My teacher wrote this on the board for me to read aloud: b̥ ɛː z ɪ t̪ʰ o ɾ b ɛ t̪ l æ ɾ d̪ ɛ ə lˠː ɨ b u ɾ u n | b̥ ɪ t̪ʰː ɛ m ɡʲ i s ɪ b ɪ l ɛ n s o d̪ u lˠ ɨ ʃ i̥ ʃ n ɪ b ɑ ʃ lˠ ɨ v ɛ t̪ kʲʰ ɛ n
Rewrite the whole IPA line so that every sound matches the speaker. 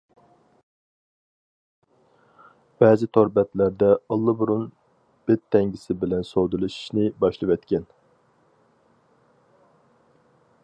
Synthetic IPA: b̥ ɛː z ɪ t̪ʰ o ɾ b ɛ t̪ l æ ɾ d̪ ɛ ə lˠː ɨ b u ɾ u n | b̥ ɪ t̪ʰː ɛ ŋ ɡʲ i s ɪ b ɪ l ɛ n s o d̪ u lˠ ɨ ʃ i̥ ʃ n ɪ b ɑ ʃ lˠ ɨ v ɛ t̪ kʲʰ ɛ n